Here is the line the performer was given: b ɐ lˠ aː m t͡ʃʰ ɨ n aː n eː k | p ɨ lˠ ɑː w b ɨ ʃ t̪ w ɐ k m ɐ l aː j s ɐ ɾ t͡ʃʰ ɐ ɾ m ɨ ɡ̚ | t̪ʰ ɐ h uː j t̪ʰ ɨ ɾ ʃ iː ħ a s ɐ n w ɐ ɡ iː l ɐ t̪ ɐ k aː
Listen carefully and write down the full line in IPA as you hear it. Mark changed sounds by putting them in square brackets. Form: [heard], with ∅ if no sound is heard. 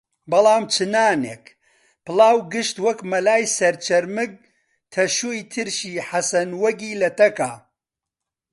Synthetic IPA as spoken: b ɐ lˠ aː m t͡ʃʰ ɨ n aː n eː k | p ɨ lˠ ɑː w [ɡ] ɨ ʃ t̪ w ɐ k m ɐ l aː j s ɐ ɾ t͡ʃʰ ɐ ɾ m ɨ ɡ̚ | t̪ʰ ɐ [ʃ] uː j t̪ʰ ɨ ɾ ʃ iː ħ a s ɐ n w ɐ ɡ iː l ɐ t̪ ɐ k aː